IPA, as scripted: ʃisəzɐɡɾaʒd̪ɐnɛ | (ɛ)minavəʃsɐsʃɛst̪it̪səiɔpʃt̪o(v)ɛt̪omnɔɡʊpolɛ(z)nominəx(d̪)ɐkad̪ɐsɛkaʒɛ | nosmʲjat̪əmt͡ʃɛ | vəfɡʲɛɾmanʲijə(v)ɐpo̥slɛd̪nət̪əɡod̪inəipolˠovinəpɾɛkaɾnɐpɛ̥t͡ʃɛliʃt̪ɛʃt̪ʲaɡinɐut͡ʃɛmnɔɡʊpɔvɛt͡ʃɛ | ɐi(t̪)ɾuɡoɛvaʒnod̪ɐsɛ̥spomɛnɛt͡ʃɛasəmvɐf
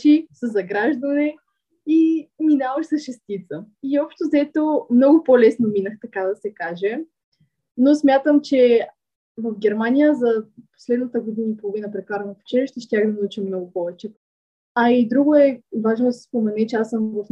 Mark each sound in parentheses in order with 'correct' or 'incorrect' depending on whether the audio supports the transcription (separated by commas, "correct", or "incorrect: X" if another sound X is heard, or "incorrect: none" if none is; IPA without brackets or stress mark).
incorrect: i, incorrect: z, incorrect: s, incorrect: t̪, incorrect: z, incorrect: d̪